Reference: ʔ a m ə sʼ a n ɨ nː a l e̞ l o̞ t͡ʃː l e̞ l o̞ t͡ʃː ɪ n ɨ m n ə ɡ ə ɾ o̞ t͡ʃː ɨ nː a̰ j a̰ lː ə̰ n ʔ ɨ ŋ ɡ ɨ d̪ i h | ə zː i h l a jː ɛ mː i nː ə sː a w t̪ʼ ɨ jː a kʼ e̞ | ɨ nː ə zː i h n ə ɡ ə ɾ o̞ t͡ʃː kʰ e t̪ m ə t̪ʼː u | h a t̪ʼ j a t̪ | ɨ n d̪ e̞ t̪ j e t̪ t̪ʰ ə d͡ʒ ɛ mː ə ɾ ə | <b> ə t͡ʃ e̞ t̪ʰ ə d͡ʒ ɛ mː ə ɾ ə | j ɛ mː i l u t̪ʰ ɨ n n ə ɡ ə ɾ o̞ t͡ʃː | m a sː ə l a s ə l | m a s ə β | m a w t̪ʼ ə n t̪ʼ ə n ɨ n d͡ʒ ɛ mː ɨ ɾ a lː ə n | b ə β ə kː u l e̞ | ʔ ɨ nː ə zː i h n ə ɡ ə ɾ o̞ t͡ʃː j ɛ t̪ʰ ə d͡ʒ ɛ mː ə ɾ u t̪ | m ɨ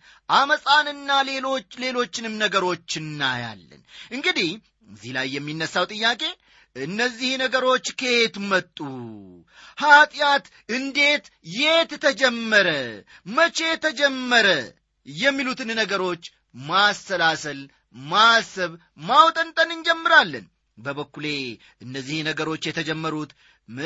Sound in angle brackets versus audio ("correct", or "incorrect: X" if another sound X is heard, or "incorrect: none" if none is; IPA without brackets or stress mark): incorrect: m